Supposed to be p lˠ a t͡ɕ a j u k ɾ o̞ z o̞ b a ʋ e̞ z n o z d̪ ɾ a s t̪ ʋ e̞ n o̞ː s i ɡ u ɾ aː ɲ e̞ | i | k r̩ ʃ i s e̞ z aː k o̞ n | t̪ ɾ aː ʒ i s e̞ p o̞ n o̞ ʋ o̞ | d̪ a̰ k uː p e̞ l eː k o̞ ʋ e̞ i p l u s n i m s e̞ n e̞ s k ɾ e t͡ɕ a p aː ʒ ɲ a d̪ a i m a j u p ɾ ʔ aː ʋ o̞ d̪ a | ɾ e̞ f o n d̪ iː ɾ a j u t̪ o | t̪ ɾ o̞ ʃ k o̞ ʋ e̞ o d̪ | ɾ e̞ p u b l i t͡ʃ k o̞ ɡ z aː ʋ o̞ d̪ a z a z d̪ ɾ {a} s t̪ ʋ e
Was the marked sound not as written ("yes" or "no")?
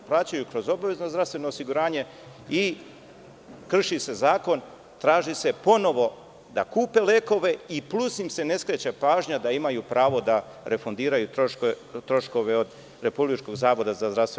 no